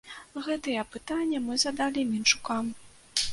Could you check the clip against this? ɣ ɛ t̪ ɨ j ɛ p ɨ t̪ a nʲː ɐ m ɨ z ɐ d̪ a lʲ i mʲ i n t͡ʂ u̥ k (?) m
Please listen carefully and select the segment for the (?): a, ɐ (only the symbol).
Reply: a